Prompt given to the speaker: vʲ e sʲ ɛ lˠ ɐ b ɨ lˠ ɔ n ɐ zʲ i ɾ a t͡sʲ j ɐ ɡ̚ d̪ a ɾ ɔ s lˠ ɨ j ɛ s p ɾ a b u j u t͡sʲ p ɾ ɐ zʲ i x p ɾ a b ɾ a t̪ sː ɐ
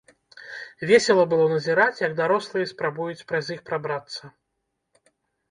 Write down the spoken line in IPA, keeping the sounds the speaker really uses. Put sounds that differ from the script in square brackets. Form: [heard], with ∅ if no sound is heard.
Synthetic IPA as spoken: vʲ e sʲ ɛ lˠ ɐ b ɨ lˠ ɔ n ɐ zʲ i ɾ a t͡sʲ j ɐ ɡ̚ d̪ a ɾ ɔ s lˠ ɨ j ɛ s p ɾ a b u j u t͡sʲ p ɾ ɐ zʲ i x p ɾ a b ɾ a t̪ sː ɐ